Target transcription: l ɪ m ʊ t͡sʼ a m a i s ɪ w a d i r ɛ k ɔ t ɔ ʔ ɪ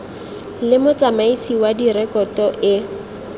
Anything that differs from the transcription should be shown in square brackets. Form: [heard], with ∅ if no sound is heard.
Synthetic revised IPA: l ɪ m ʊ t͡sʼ a m a i s [i] w a d i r ɛ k ɔ t ɔ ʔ ɪ